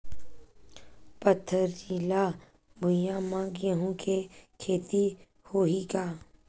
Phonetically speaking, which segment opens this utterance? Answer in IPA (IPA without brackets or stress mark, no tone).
p